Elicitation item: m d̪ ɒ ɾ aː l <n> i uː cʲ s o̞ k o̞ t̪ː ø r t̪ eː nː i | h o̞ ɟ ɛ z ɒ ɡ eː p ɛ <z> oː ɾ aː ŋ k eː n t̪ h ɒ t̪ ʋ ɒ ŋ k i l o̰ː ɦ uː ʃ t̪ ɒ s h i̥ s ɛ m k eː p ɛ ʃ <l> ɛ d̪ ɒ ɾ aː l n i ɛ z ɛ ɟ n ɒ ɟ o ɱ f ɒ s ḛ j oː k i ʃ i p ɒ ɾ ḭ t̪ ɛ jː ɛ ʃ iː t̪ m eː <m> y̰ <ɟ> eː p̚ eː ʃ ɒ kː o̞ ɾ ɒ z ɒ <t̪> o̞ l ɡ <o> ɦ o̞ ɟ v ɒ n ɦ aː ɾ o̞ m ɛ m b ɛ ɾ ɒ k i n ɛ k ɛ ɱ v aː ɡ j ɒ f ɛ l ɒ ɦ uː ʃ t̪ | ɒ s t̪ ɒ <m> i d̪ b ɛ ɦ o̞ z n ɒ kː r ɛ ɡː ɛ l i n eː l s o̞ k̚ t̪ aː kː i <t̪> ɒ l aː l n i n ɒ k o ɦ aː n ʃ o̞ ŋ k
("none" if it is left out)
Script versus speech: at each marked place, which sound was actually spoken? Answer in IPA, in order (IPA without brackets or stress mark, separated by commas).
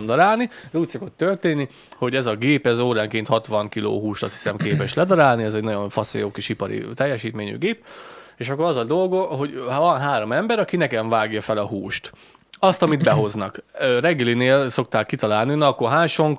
n, z, l, ɲ, ɡ, d̪, o, m, t̪